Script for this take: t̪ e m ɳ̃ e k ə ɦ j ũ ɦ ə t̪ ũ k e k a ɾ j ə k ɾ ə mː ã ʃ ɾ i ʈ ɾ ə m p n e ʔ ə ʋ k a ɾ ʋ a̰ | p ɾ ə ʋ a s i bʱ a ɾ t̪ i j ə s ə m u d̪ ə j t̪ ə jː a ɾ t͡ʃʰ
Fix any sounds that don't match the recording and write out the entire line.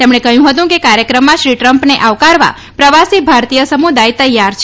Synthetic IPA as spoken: t̪ e m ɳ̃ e k ə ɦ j ũ ɦ ə t̪ ũ k e k a ɾ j ə k ɾ ə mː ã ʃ ɾ i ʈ ɾ ə m p n e ʔ a ʋ k a ɾ ʋ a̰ | p ɾ ə ʋ a s i bʱ a ɾ t̪ i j ə s ə m u d̪ a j t̪ ə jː a ɾ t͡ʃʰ